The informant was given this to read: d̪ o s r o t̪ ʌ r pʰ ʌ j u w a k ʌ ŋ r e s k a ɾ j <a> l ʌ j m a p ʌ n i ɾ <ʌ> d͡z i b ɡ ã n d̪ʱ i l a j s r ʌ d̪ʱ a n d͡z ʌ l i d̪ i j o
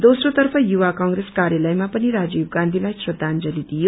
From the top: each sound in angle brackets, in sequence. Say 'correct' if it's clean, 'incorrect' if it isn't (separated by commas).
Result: correct, incorrect